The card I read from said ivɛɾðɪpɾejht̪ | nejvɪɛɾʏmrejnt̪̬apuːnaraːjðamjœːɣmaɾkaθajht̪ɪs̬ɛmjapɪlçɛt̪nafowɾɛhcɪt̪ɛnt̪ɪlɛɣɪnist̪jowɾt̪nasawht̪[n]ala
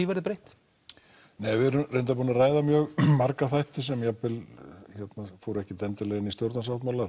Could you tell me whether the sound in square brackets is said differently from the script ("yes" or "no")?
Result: yes